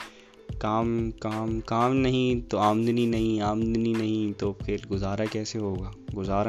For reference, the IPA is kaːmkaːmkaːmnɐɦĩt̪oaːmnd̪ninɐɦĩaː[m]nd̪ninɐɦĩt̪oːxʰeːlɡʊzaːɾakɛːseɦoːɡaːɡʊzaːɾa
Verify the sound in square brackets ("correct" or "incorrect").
correct